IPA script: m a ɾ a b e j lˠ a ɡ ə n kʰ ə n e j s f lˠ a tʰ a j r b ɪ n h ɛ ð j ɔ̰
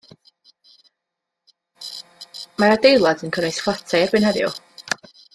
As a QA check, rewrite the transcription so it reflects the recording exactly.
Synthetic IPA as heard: m a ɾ a d e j lˠ a d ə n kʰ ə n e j s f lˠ a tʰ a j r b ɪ n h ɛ ð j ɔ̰